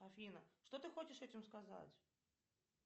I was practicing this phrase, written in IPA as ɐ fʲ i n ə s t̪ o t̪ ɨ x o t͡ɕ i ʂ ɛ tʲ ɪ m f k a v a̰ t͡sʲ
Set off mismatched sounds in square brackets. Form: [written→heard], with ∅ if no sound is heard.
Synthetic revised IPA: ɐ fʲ i n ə [s→ʂ] t̪ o t̪ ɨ x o t͡ɕ [i→ɪ] ʂ ɛ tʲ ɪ m [f→s] k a [v→z] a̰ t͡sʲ